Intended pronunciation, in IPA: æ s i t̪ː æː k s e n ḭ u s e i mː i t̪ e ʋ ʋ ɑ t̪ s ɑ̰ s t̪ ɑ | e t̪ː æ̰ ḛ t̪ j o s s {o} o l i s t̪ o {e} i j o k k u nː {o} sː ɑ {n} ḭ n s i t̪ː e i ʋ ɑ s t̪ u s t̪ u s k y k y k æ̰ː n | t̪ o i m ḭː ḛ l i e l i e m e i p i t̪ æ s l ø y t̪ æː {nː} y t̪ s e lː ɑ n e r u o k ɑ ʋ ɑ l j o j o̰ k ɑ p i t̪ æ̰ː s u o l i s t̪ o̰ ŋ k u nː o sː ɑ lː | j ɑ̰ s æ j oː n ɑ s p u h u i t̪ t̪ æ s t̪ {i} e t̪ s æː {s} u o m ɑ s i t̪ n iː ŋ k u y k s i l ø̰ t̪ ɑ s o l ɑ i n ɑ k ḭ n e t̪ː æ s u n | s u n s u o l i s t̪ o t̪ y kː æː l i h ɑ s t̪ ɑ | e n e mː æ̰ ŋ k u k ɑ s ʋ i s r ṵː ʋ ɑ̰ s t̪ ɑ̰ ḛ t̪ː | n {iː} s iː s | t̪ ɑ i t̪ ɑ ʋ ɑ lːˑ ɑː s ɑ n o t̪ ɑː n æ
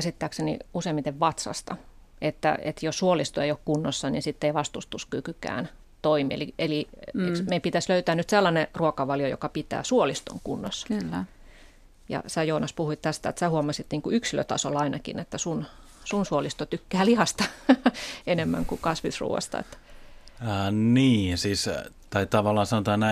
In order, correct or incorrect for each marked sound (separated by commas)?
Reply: incorrect, correct, correct, correct, incorrect, incorrect, incorrect, correct